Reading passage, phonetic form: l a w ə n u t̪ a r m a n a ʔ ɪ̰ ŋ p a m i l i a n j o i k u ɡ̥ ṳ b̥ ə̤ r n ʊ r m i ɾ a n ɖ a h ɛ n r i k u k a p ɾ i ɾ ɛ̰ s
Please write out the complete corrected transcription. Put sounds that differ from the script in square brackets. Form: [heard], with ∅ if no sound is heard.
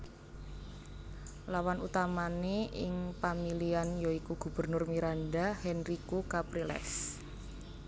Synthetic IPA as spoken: l a w [a] n u t̪ a [∅] m a n [e] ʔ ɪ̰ ŋ p a m i l i a n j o i k u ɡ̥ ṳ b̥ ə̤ r n ʊ r m i ɾ a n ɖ a h ɛ n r i k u k a p ɾ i [l] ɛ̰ s